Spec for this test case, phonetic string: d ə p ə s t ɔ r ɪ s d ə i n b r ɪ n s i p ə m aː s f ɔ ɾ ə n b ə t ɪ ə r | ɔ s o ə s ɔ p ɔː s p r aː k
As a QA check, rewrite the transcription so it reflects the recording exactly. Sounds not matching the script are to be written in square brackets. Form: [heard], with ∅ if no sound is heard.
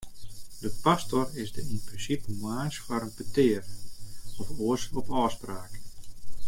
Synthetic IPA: d ə p [a] s t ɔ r ɪ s d ə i n [p] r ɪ n s i p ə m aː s f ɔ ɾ ə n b ə t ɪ ə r | ɔ [f] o ə s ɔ p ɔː s p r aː k